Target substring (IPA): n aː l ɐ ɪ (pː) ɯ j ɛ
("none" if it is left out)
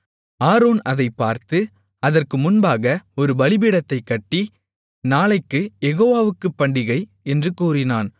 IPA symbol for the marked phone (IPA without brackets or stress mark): kː